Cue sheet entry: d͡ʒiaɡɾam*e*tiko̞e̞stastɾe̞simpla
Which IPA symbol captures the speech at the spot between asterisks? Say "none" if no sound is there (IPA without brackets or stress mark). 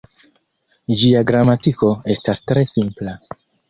a